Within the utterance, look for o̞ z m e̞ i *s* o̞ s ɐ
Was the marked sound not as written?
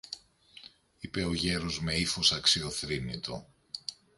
yes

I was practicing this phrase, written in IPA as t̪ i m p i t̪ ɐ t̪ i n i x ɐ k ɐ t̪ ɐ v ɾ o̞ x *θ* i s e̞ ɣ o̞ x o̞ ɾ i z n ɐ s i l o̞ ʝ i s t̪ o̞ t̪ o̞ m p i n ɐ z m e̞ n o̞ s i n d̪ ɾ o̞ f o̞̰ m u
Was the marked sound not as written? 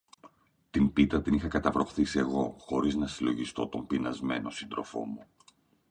no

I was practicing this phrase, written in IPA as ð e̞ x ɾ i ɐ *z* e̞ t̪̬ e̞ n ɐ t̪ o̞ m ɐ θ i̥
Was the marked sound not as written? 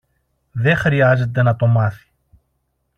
no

